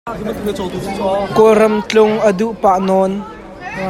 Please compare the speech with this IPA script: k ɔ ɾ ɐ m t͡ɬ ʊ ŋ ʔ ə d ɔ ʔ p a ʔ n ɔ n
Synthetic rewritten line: k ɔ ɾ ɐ m t͡ɬ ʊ ŋ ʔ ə d u ʔ p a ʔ n ɔ n